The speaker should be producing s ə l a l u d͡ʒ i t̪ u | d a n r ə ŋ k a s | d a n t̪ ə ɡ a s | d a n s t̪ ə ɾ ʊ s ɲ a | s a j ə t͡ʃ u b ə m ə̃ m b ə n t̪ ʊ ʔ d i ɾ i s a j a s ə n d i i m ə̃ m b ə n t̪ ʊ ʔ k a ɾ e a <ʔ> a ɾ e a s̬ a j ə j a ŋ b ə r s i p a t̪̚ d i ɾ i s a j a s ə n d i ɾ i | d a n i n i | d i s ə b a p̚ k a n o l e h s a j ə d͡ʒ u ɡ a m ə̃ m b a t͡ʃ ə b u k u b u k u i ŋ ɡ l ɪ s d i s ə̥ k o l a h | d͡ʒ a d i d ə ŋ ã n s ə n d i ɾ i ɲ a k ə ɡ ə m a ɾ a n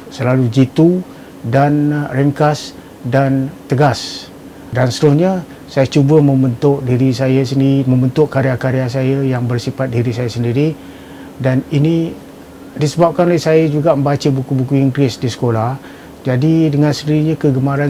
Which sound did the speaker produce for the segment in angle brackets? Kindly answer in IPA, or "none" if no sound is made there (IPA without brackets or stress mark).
k